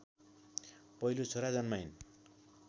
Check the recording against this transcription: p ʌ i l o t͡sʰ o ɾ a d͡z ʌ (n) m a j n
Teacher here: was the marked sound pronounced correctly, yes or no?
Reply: yes